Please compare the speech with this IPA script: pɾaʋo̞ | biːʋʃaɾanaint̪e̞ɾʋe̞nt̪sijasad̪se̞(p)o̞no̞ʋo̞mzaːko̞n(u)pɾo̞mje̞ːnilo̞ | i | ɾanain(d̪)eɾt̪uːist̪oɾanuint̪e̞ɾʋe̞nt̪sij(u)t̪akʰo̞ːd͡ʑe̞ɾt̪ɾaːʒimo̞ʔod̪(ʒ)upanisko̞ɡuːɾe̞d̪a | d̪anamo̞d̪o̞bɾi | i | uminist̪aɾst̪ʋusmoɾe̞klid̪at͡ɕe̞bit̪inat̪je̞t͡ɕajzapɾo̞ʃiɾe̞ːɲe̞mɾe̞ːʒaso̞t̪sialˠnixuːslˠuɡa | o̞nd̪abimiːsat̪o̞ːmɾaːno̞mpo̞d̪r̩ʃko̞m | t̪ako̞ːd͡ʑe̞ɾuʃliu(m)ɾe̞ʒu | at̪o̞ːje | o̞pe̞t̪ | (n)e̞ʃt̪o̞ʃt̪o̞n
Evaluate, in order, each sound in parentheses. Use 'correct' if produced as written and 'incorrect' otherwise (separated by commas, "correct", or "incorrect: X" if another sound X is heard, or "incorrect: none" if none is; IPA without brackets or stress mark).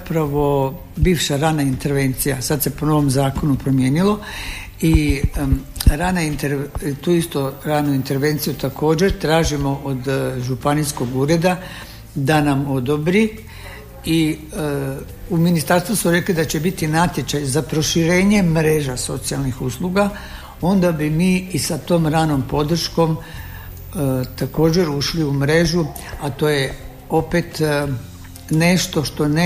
correct, correct, incorrect: t̪, correct, correct, correct, correct